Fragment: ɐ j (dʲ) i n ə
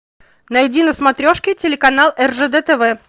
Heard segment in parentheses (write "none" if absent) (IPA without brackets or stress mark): dʲ